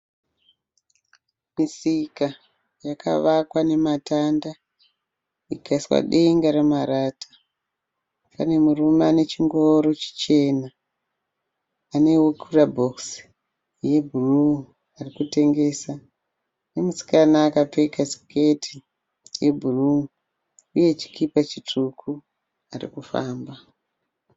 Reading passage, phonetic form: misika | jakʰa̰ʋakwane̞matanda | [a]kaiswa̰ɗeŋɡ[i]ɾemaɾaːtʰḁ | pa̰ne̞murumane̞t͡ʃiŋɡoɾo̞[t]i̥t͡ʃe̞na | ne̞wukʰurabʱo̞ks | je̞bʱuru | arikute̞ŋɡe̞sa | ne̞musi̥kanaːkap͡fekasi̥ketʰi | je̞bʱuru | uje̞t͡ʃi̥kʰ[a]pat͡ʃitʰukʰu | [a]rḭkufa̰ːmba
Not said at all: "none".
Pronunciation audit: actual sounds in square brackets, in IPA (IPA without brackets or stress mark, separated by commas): i, a, t͡ʃ, i, a